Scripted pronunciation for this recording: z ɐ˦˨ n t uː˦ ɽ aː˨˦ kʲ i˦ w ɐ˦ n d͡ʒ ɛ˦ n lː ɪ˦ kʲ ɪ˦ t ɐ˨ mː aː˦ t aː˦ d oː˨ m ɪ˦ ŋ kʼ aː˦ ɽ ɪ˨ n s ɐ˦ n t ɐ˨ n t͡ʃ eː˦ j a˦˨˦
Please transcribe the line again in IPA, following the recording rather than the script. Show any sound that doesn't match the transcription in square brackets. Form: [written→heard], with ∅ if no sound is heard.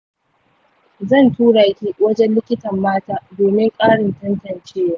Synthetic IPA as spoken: z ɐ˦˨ n t uː˦ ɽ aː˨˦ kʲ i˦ w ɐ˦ [n→∅] d͡ʒ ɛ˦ n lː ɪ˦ kʲ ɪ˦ t ɐ˨ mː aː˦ t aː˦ d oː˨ m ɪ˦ ŋ kʼ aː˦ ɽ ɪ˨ n [s→t] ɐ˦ n t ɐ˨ n t͡ʃ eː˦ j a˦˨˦